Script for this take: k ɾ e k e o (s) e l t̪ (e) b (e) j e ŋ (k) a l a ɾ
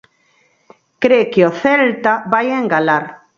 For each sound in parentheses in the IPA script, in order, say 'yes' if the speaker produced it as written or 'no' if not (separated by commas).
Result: no, no, no, no